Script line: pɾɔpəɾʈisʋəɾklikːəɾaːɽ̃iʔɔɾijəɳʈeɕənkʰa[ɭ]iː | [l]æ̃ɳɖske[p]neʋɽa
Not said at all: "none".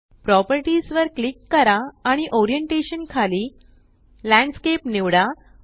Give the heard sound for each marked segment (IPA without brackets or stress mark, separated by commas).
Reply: l, l, p